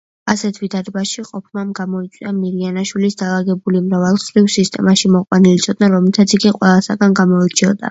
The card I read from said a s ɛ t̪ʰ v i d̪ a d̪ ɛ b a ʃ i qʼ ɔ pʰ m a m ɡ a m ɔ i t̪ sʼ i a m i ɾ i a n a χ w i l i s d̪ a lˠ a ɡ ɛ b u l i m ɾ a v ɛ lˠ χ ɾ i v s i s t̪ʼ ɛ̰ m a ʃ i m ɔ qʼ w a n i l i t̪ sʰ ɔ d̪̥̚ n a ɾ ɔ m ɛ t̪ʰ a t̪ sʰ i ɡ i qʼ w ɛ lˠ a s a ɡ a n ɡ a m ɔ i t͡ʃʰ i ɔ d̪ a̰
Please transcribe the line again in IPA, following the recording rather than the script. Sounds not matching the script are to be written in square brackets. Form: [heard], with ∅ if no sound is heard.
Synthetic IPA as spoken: a s ɛ t̪ʰ v i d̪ a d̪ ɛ b a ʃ i qʼ ɔ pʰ m a m ɡ a m ɔ i t̪ sʼ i a m i ɾ i a n a [ʃ] w i l i s d̪ a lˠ a ɡ ɛ b u l i m ɾ a v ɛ lˠ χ ɾ i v s i s t̪ʼ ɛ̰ m a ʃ i m ɔ qʼ w a n i l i t̪ sʰ ɔ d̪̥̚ n a ɾ ɔ m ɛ t̪ʰ a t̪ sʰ i ɡ i qʼ w ɛ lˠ a s a ɡ a n ɡ a m ɔ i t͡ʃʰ i ɔ d̪ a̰